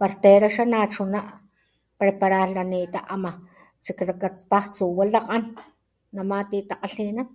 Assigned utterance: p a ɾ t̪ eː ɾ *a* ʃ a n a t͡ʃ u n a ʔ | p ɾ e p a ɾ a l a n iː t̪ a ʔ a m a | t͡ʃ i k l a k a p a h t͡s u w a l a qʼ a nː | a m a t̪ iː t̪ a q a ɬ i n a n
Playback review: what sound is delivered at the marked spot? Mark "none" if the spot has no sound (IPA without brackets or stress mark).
a